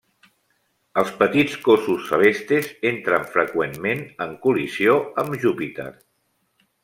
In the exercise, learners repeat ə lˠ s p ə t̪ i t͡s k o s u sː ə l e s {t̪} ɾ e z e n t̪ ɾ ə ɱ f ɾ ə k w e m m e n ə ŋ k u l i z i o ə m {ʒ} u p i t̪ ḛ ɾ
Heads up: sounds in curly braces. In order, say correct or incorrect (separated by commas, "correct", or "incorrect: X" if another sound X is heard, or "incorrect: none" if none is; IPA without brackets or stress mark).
correct, correct